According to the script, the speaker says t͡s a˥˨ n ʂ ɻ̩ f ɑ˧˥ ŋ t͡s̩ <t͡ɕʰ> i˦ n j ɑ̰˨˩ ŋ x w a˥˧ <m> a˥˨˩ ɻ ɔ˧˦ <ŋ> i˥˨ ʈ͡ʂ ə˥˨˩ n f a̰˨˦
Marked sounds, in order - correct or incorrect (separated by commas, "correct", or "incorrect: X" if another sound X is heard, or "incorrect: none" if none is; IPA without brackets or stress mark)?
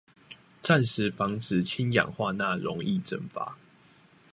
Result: correct, incorrect: n, correct